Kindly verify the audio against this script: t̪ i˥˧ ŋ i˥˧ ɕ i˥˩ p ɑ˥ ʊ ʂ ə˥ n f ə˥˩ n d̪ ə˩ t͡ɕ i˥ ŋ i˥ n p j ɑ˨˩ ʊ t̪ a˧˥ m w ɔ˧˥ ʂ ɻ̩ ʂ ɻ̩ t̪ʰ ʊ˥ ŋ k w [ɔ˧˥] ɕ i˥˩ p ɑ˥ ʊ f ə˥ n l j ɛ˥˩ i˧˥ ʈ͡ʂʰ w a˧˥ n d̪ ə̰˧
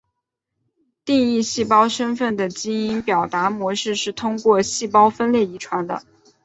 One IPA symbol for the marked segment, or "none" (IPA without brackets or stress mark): ɔ˥˧